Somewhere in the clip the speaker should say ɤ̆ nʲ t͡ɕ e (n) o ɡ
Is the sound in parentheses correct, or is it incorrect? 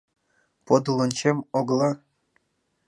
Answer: incorrect